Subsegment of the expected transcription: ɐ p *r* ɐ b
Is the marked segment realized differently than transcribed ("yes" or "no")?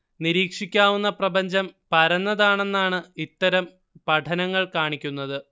no